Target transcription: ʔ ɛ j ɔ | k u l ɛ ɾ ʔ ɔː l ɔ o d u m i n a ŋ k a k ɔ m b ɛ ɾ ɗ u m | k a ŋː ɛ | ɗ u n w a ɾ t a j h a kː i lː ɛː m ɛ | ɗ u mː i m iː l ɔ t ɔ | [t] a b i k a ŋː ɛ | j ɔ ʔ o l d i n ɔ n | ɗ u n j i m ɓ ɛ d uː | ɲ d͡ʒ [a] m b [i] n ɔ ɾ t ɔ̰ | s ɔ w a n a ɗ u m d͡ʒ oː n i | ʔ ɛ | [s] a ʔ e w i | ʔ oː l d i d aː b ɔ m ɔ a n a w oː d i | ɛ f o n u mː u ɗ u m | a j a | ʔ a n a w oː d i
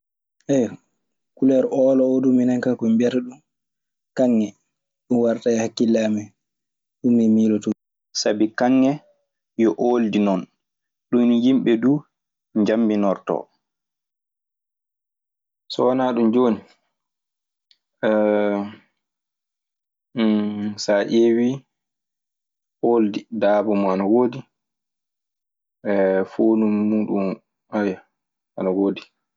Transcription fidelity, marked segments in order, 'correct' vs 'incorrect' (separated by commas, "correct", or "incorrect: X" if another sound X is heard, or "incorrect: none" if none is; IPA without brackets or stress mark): incorrect: s, correct, correct, correct